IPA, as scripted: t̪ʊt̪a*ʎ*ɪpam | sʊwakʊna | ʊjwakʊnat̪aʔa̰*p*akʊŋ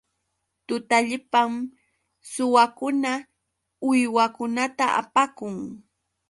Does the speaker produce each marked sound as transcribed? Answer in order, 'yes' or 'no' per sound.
yes, yes

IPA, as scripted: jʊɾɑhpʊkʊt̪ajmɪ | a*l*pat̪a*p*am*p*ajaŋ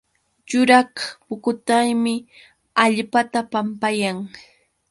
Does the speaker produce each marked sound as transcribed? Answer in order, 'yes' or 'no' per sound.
no, yes, yes

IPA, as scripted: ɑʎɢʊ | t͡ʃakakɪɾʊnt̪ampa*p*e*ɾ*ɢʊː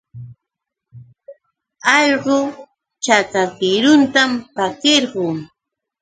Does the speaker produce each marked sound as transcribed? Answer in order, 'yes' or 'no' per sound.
no, yes

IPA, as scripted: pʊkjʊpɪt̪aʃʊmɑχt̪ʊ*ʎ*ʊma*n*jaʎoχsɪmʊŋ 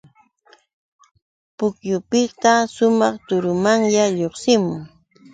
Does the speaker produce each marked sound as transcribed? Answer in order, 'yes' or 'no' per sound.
no, no

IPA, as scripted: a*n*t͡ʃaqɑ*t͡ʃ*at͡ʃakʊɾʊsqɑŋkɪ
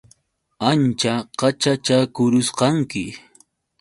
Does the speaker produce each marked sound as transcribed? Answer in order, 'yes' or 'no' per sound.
yes, yes

